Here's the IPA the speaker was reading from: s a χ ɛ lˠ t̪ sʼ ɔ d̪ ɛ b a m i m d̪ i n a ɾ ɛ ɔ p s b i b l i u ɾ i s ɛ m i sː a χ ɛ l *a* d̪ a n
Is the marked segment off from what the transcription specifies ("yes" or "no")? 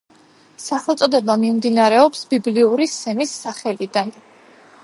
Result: yes